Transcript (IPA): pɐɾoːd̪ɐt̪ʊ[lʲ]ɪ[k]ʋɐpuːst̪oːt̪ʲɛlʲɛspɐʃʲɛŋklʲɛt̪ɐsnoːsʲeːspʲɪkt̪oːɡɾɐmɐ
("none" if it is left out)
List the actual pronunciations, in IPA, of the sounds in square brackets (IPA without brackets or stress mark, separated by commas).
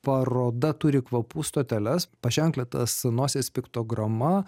ɾʲ, k